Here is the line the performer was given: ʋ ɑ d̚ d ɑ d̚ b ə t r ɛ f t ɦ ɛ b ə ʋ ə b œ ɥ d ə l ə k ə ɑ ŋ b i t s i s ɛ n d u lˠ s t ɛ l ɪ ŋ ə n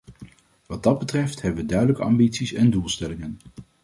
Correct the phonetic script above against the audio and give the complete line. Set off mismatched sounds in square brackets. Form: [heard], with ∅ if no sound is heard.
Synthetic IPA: ʋ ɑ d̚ d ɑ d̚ b ə t r ɛ f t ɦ ɛ b ə ʋ ə [d] œ ɥ d ə l ə k ə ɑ [m] b i t s i s ɛ n d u lˠ s t ɛ l ɪ ŋ ə n